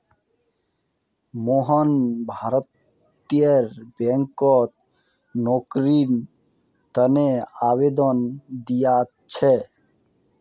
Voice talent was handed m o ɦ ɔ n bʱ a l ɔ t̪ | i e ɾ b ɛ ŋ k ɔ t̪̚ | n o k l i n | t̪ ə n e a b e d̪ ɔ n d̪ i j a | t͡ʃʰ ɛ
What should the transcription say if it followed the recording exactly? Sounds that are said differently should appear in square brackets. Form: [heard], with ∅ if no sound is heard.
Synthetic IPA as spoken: m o ɦ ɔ n bʱ a [ɾ] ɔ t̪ | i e ɾ b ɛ ŋ k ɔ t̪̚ | n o k [ɾ] i n | t̪ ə n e a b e d̪ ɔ n d̪ i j a | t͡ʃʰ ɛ